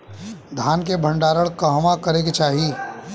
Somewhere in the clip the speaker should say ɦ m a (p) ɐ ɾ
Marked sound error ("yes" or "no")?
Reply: yes